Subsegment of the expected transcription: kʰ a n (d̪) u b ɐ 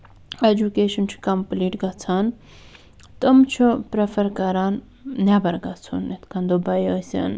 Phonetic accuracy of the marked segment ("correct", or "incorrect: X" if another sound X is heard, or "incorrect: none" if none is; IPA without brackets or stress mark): correct